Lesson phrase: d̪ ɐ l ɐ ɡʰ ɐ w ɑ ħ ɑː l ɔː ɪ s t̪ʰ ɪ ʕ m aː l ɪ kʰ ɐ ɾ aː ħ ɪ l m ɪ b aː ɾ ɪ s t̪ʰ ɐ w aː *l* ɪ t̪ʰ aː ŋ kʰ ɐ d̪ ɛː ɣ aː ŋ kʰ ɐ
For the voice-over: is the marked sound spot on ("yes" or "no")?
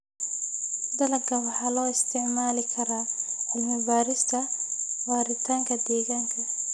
no